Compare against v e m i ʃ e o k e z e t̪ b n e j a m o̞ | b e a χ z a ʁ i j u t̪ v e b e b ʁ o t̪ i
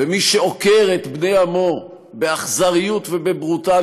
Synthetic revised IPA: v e m i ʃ e o k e ʁ e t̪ b n e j a m o̞ | b e a χ z a ʁ i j u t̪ v e b e b ʁ u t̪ a